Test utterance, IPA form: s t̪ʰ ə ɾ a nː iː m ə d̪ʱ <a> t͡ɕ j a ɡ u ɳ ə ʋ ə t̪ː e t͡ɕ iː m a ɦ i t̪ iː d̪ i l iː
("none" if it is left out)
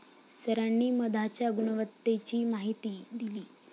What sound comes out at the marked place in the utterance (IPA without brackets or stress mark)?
a